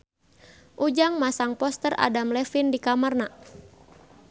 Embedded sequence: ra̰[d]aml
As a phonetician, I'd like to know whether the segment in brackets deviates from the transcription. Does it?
no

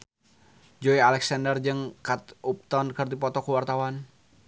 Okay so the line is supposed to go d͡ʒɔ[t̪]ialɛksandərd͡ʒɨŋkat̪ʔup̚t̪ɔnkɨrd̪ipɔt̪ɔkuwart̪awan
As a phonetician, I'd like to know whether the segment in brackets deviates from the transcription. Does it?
yes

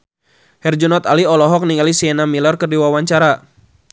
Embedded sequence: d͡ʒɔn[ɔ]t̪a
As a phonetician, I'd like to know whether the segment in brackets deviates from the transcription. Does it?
no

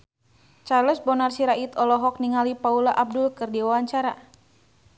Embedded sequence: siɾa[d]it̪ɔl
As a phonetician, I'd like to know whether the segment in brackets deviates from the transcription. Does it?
yes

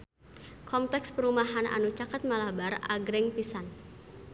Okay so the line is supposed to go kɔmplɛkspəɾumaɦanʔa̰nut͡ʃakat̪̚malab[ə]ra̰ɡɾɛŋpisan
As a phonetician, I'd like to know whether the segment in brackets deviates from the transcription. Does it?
yes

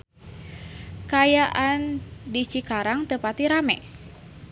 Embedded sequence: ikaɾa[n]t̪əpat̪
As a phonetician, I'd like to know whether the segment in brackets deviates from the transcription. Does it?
yes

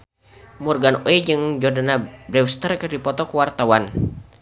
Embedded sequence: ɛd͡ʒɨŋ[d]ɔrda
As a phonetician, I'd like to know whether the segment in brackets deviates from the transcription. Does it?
yes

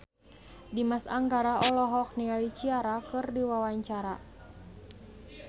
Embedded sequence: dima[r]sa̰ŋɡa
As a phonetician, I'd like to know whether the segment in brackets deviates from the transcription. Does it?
yes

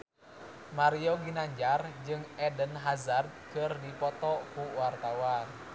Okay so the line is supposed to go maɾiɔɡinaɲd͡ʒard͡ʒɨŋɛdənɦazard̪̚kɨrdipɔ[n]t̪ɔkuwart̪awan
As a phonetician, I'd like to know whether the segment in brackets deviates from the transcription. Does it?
yes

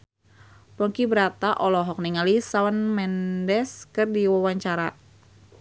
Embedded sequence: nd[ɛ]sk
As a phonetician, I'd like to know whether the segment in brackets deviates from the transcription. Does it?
no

